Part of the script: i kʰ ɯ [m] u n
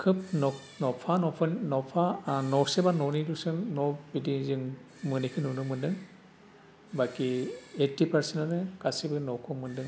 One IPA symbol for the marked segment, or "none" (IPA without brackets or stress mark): n